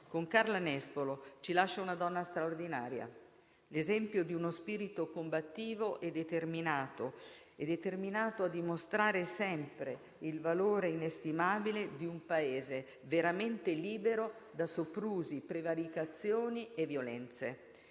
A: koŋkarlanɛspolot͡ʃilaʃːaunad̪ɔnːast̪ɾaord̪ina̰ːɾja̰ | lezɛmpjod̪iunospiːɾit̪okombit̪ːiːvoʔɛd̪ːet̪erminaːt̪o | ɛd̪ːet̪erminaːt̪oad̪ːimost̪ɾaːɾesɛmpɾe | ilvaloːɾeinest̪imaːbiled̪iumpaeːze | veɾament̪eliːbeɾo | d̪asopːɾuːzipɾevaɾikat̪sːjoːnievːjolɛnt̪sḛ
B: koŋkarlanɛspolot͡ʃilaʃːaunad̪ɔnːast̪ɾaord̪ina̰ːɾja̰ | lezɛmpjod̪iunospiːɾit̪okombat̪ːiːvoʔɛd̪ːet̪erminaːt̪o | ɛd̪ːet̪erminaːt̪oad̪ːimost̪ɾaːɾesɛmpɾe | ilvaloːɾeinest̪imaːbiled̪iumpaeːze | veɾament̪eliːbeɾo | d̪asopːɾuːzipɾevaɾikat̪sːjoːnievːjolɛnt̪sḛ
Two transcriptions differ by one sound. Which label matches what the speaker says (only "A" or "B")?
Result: B